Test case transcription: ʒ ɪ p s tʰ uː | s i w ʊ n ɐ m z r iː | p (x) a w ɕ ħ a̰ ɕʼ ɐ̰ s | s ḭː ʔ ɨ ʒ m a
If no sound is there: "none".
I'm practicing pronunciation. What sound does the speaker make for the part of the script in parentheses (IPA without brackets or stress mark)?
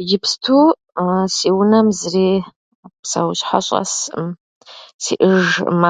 s